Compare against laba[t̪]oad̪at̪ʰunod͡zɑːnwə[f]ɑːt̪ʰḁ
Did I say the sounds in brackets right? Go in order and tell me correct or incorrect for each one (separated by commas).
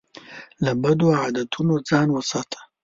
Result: incorrect, incorrect